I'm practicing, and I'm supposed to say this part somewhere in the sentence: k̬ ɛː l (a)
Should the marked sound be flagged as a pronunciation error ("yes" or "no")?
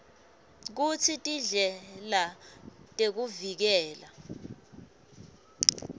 no